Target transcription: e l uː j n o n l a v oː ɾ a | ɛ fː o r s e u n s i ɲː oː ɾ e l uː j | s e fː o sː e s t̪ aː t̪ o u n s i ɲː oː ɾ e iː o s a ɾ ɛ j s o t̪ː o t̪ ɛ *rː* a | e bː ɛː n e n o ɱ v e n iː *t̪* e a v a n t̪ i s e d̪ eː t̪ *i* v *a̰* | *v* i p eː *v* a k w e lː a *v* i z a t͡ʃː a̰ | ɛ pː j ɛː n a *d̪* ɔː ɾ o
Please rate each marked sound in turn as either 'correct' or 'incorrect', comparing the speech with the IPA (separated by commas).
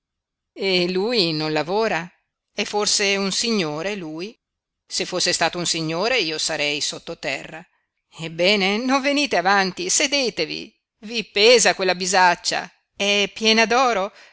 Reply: correct, correct, incorrect, incorrect, correct, incorrect, incorrect, correct